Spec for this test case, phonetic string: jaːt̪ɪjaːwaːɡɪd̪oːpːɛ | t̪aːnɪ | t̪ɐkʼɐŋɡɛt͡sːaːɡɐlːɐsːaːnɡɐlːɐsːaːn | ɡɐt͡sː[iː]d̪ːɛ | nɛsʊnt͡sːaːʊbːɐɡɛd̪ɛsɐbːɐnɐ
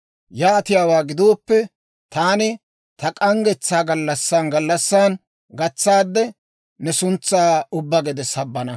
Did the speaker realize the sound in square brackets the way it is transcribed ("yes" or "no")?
no